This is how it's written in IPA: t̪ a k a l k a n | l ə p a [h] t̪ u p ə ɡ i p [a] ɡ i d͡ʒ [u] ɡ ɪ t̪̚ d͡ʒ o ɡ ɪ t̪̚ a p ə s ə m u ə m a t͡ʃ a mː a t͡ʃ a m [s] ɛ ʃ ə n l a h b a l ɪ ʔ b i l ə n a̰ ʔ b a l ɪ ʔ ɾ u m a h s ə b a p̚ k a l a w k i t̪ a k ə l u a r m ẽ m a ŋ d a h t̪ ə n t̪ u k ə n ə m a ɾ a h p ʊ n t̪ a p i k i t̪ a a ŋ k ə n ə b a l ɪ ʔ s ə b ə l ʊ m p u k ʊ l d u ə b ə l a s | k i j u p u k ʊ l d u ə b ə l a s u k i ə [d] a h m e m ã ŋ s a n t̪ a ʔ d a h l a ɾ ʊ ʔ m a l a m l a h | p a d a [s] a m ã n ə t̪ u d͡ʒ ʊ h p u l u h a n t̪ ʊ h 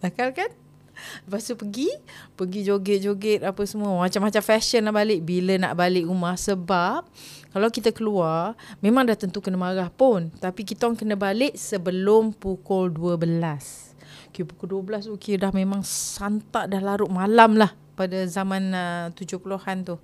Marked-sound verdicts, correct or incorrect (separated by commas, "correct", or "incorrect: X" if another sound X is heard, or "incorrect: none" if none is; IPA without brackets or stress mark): incorrect: s, incorrect: ə, incorrect: o, incorrect: f, correct, incorrect: z